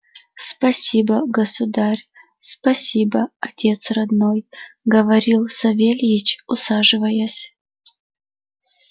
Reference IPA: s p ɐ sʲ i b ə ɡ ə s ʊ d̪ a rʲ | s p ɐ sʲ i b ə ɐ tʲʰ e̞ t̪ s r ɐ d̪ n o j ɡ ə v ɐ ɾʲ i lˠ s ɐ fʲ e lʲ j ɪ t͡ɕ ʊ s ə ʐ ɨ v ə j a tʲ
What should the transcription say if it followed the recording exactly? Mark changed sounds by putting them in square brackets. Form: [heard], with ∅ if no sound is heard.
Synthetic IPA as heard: s p ɐ sʲ i b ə ɡ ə s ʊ d̪ a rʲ | s p ɐ sʲ i b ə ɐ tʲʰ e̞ t̪ s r ɐ d̪ n o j ɡ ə v ɐ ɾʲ i lˠ s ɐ [vʲ] e lʲ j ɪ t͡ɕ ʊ s [a] ʐ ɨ v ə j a [sʲ]

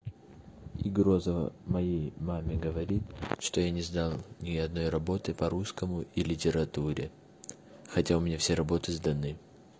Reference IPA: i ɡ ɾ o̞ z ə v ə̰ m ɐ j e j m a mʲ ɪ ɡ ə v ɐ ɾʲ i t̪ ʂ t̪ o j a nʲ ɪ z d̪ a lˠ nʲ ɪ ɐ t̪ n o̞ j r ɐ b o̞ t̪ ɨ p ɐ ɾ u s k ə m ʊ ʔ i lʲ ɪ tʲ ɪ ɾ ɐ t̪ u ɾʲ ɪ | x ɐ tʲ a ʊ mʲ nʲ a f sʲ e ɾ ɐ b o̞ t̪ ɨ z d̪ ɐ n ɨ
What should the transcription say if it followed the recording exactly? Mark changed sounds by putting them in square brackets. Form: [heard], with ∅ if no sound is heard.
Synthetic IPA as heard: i ɡ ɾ o̞ z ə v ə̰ m ɐ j e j m a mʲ ɪ ɡ ə v ɐ ɾʲ i t̪ ʂ t̪ o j a nʲ ɪ z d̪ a lˠ nʲ ɪ ɐ [d̪] n o̞ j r ɐ b o̞ t̪ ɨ p ɐ ɾ u s k ə m ʊ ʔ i lʲ ɪ tʲ ɪ ɾ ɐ t̪ u ɾʲ ɪ | x ɐ tʲ a ʊ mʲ nʲ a f sʲ e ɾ ɐ b o̞ t̪ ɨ z d̪ ɐ n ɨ

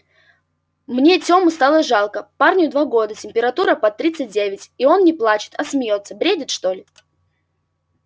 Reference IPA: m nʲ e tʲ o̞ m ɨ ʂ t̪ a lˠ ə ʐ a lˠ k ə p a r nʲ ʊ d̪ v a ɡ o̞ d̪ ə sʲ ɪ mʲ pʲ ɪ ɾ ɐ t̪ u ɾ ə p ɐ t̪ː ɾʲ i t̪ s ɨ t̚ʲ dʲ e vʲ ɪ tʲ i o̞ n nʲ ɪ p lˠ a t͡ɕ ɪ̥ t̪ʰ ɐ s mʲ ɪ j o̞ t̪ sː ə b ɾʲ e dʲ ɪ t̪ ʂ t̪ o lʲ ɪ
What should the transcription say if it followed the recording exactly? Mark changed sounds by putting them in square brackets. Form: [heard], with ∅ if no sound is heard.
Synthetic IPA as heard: m nʲ e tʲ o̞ m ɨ [s] t̪ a lˠ ə ʐ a lˠ k ə p a r nʲ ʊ d̪ v a ɡ o̞ d̪ ə [tʲ] ɪ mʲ pʲ ɪ ɾ ɐ t̪ u ɾ ə p ɐ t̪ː ɾʲ i t̪ s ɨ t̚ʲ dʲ e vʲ ɪ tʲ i o̞ n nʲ ɪ p lˠ a t͡ɕ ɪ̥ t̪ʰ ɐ s mʲ ɪ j o̞ t̪ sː ə b ɾʲ e dʲ ɪ t̪ ʂ t̪ o lʲ ɪ

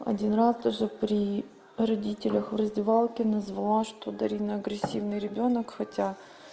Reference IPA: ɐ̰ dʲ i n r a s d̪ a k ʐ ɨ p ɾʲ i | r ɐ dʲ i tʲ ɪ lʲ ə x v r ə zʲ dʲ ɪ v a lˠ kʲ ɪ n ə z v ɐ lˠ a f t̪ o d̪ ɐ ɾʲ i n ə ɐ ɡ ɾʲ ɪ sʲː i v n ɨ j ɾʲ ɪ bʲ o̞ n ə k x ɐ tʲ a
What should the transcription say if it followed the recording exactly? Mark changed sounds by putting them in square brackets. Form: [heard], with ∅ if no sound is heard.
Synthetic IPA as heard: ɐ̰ dʲ i n r a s d̪ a [∅] ʐ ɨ p ɾʲ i | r ɐ dʲ i tʲ ɪ lʲ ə x v r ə zʲ dʲ ɪ v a lˠ kʲ ɪ n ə z v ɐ lˠ a [ʂ] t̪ o d̪ ɐ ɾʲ i n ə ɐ ɡ ɾʲ ɪ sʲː i v n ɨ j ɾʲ ɪ bʲ o̞ n ə k x ɐ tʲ a

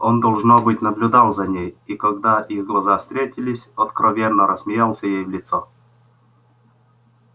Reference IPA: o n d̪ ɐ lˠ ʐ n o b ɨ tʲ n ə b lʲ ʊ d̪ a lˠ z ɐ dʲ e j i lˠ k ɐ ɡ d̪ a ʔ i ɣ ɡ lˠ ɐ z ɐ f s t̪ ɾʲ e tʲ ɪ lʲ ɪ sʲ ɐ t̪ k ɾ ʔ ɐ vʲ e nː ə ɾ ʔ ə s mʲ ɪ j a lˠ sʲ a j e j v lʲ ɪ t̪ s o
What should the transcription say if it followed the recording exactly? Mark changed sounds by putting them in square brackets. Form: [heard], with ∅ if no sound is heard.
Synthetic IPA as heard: o n d̪ ɐ lˠ ʐ n o b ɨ tʲ n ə b lʲ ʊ d̪ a lˠ z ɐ [nʲ] e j i [∅] k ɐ ɡ d̪ a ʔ i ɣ ɡ lˠ ɐ z [a] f s t̪ ɾʲ e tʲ ɪ lʲ ɪ sʲ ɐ t̪ k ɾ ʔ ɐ vʲ e nː ə ɾ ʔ ə s mʲ ɪ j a lˠ sʲ [ə] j e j v lʲ ɪ t̪ s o

